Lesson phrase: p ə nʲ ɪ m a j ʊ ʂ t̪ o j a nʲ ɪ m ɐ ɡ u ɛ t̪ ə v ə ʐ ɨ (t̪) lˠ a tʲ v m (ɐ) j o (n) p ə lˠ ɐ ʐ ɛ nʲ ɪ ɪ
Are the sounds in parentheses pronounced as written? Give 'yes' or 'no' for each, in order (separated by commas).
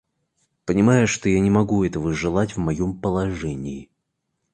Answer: no, yes, no